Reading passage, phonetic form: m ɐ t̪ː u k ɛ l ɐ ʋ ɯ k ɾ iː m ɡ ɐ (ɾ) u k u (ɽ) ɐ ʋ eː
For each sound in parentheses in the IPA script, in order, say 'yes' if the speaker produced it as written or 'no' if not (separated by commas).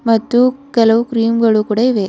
no, yes